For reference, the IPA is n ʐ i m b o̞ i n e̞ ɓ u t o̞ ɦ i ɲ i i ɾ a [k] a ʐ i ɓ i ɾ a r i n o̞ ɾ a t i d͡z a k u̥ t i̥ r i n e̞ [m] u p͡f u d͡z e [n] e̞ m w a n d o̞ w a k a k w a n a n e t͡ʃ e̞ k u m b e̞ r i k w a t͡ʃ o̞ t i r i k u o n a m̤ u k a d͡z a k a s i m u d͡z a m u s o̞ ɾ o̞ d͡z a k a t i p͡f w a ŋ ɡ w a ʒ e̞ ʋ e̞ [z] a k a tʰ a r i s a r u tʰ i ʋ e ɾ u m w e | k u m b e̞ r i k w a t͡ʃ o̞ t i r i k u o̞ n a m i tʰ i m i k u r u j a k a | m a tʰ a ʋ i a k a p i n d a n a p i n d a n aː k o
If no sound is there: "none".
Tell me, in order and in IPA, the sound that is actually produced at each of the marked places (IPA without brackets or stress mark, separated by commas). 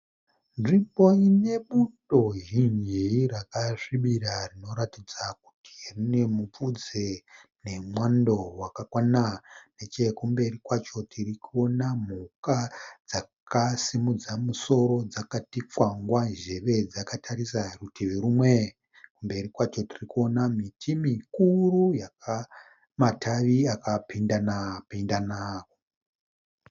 k, m, n, d͡z